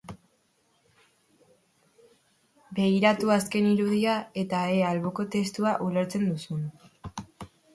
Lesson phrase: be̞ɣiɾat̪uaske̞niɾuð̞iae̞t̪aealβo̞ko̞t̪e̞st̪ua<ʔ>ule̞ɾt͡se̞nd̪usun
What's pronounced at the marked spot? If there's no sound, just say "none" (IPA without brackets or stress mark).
ʔ